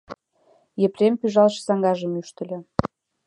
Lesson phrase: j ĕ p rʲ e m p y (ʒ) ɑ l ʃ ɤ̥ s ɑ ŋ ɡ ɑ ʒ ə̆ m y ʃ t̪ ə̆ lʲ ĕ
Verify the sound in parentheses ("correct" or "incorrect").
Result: correct